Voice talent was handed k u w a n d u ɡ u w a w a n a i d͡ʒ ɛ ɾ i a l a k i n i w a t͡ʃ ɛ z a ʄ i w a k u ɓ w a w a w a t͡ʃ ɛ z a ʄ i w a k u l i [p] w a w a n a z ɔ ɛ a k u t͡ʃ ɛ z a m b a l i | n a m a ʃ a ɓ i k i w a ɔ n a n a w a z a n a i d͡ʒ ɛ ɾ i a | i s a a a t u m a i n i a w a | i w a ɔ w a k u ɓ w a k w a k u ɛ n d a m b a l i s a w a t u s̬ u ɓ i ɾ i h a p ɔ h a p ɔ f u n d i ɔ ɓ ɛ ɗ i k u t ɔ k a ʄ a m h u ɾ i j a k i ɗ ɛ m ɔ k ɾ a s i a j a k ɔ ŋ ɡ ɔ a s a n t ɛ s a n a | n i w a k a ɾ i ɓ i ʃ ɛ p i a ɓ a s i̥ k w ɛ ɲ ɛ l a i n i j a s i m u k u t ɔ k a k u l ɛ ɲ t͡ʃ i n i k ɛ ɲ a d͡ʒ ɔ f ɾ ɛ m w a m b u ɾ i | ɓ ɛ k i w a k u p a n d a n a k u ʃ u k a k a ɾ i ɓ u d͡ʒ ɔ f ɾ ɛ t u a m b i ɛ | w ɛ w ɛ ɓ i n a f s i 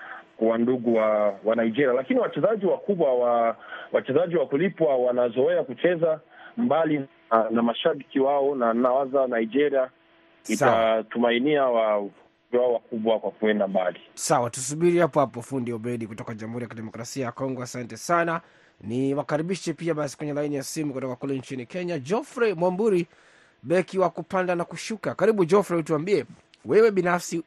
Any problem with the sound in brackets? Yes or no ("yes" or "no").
no